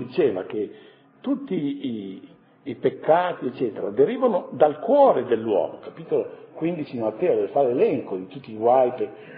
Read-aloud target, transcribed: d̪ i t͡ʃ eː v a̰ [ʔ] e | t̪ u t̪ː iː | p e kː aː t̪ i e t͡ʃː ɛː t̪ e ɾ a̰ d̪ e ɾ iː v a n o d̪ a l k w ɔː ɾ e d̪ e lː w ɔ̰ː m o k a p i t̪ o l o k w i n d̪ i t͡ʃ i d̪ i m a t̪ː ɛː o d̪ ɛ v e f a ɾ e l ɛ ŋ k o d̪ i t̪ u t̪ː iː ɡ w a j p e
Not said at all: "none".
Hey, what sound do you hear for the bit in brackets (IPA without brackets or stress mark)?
k